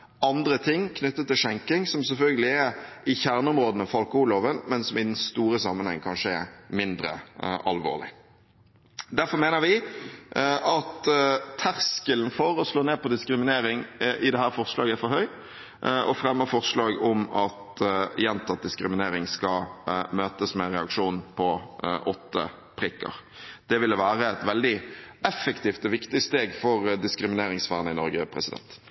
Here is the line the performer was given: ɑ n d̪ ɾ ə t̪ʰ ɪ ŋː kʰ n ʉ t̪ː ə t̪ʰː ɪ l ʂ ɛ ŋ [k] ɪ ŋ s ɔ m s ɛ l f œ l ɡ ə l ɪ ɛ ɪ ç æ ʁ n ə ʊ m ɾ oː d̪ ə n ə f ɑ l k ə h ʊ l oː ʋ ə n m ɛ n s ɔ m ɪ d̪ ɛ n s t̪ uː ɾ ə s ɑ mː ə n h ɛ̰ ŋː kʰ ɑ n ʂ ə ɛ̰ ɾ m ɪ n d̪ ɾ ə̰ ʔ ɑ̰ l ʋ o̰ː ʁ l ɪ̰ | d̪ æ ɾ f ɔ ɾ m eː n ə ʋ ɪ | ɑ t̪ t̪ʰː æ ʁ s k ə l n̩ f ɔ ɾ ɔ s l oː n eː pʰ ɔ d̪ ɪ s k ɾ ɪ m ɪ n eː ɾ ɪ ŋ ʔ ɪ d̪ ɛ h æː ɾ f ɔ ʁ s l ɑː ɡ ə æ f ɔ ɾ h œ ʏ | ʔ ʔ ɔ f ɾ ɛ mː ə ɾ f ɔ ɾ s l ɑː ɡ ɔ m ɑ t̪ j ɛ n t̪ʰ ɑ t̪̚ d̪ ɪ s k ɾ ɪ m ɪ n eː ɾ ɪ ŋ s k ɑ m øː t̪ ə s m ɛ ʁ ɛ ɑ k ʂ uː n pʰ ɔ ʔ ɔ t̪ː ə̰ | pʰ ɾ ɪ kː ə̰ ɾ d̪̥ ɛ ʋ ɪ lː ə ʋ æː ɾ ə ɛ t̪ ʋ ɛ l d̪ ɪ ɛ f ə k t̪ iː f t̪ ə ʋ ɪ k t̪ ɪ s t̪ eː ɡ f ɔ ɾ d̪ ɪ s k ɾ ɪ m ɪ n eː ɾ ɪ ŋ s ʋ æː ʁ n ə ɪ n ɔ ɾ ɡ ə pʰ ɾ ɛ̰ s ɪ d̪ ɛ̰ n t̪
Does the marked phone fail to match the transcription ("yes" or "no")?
no